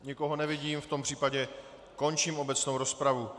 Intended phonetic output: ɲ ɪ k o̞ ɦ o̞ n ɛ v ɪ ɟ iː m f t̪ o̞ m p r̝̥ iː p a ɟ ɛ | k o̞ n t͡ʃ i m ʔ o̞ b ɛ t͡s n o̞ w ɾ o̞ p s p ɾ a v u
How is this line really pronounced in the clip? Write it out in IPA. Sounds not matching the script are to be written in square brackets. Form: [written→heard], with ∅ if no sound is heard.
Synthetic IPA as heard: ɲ ɪ k o̞ ɦ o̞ n ɛ v ɪ ɟ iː m f t̪ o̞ m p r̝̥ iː p a ɟ ɛ | k o̞ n t͡ʃ i m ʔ o̞ b ɛ t͡s n o̞ w ɾ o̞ [p→∅] s p ɾ a v u